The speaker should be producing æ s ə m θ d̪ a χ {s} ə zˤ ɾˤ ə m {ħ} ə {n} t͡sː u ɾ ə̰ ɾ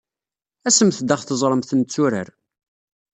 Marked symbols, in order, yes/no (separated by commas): no, no, yes